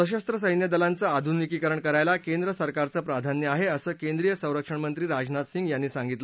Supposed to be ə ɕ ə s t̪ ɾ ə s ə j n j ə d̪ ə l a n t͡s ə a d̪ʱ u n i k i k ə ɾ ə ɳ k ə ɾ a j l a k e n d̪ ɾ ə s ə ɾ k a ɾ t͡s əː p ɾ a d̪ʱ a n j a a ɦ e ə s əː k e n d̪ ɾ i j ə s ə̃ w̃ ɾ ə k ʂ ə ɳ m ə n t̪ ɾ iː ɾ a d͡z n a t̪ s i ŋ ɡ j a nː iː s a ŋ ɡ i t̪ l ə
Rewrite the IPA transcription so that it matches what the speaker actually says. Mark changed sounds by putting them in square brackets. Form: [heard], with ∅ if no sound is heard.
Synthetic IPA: ə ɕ ə s t̪ ɾ ə s ə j n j ə d̪ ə l a n t͡s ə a d̪ʱ u n i k i k ə ɾ ə ɳ k ə ɾ a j l a k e n d̪ ɾ ə s ə ɾ k a ɾ t͡s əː p ɾ a d̪ʱ a n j [ə] a ɦ e ə s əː k e n d̪ ɾ i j ə s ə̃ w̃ ɾ ə k ʂ ə ɳ m ə n t̪ ɾ iː ɾ a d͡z n a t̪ s i ŋ ɡ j a nː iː s a ŋ ɡ i t̪ l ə